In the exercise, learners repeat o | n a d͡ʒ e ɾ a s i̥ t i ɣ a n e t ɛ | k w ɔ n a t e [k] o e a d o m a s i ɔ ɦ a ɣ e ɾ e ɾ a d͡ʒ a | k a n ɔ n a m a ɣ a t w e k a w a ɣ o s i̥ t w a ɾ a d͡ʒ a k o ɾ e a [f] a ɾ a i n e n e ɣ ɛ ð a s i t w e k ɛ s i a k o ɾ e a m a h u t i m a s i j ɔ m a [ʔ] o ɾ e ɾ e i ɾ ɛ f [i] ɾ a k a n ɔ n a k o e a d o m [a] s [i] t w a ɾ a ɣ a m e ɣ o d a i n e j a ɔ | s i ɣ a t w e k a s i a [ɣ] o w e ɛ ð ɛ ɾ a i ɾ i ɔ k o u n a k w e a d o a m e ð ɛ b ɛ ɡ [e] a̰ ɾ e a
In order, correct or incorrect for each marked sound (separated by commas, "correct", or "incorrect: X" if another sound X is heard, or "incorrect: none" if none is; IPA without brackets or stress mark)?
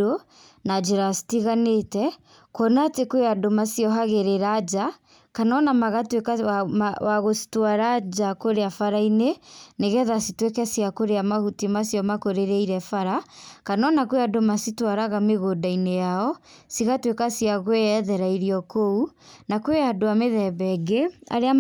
correct, correct, incorrect: k, incorrect: a, correct, correct, correct, correct